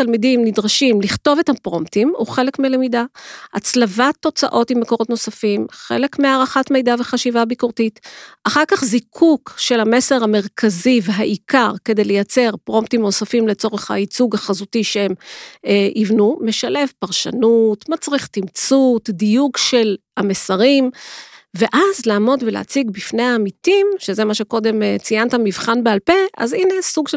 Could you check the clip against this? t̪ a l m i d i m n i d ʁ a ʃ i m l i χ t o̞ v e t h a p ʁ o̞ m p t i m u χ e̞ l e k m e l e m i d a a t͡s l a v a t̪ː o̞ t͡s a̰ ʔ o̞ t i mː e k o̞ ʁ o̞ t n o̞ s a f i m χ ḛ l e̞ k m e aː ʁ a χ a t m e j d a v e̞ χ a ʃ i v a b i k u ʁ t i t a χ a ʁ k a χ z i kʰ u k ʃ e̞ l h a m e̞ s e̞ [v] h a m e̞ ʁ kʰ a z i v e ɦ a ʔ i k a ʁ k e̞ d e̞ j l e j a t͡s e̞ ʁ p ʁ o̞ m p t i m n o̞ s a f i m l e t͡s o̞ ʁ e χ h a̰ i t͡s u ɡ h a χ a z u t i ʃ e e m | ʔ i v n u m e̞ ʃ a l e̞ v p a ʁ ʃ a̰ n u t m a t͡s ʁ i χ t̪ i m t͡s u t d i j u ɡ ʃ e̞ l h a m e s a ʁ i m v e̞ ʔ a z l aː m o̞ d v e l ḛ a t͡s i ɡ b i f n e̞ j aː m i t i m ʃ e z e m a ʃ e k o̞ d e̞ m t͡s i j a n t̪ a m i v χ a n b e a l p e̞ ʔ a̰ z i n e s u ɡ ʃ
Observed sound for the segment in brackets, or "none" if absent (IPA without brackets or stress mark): ʁ